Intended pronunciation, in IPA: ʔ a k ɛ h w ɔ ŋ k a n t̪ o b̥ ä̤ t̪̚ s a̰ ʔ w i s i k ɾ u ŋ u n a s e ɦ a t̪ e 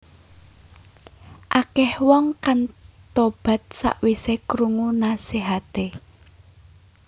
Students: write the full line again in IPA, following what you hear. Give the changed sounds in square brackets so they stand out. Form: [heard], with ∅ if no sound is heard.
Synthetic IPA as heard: ʔ a k ɛ h w ɔ ŋ k a n t̪ o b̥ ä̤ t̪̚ s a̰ ʔ w i s [e] k ɾ u ŋ u n a s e ɦ a t̪ e